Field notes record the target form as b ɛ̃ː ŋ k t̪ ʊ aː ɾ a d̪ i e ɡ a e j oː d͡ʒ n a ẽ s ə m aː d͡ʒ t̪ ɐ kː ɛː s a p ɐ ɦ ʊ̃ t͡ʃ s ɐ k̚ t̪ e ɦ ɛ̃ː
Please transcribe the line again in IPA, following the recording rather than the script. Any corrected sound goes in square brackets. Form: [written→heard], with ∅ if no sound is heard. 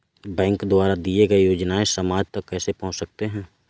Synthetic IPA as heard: b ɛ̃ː ŋ k [t̪→d̪] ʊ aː ɾ a d̪ i e ɡ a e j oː d͡ʒ n a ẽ s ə m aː d͡ʒ t̪ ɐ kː ɛː s [a→e] p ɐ ɦ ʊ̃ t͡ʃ s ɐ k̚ t̪ e ɦ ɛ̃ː